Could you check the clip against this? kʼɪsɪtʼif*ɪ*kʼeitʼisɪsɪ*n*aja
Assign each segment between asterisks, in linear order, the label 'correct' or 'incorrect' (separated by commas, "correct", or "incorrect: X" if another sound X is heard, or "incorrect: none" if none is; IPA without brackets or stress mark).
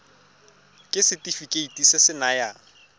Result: incorrect: i, correct